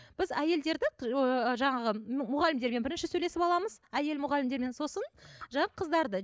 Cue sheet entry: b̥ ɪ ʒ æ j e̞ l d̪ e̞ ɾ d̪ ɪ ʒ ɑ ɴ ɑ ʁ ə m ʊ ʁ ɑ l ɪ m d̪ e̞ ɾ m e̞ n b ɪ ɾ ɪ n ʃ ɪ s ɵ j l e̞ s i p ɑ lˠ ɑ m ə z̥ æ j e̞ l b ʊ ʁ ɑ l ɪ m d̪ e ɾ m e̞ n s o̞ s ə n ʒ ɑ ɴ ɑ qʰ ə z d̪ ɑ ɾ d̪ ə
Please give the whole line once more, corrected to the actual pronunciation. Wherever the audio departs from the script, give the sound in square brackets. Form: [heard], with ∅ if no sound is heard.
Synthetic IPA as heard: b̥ ɪ [z] æ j e̞ l d̪ e̞ ɾ d̪ ɪ ʒ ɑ ɴ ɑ ʁ ə m ʊ ʁ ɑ l ɪ m d̪ e̞ ɾ m e̞ n b ɪ ɾ ɪ n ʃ ɪ s ɵ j l e̞ s [ɪ] p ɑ lˠ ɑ m ə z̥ æ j e̞ l [m] ʊ ʁ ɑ l ɪ m d̪ e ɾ m e̞ n s o̞ s ə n ʒ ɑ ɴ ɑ qʰ ə z d̪ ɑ ɾ d̪ ə